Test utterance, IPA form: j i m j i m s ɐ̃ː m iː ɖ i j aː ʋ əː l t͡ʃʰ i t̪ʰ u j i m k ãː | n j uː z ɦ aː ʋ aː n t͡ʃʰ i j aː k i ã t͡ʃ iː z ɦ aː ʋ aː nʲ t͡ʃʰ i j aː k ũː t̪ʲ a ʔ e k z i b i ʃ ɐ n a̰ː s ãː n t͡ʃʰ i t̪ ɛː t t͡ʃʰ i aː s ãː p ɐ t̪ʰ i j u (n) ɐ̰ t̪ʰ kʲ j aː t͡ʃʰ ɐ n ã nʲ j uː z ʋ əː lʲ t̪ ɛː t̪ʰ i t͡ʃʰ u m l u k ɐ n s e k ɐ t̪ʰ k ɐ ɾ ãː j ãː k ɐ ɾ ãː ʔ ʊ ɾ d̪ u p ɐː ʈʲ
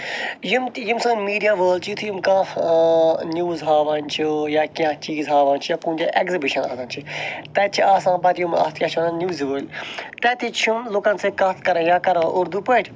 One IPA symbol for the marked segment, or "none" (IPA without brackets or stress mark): m